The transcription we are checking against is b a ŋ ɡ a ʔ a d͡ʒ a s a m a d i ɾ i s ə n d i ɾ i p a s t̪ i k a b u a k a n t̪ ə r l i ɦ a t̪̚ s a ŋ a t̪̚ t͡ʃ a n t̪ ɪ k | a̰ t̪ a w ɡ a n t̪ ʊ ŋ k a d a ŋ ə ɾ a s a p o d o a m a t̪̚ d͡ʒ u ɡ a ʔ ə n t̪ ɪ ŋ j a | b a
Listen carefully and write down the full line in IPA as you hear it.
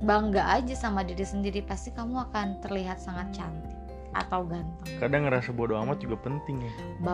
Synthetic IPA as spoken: b a ŋ ɡ a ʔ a d͡ʒ a s a m a d i ɾ i s ə n d i ɾ i p a s t̪ i k a m u a k a n t̪ ə r l i ɦ a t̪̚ s a ŋ a t̪̚ t͡ʃ a n t̪ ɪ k | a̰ t̪ a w ɡ a n t̪ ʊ ŋ k a d a ŋ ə ɾ a s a b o d o a m a t̪̚ d͡ʒ u ɡ a p ə n t̪ ɪ ŋ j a | b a